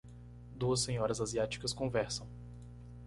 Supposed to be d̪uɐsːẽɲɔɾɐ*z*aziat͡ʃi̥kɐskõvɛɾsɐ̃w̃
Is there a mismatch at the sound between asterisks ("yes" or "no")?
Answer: no